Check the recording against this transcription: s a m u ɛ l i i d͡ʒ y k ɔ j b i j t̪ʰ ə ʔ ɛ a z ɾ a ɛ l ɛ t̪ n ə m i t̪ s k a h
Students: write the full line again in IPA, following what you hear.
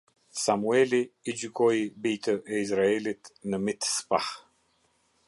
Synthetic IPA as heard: s a m u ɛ l i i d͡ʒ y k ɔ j b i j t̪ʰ ə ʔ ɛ i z ɾ a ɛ l i t̪ n ə m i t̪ s p a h